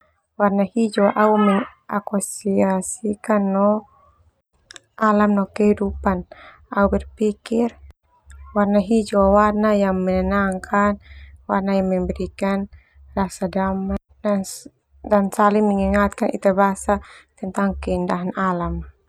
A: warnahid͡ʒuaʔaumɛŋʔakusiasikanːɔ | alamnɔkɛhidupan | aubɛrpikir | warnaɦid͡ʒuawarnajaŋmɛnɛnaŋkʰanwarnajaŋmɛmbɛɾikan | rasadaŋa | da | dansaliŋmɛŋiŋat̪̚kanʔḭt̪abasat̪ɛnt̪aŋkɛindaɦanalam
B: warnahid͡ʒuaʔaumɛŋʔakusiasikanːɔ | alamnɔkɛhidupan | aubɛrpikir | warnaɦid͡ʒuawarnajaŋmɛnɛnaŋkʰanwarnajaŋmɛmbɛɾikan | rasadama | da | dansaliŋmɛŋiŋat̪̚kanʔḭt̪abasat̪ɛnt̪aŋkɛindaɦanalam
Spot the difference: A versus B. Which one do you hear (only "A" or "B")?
B